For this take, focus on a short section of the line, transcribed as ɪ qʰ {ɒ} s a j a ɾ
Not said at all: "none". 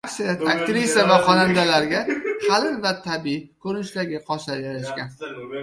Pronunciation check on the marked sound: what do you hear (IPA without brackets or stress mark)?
ɒ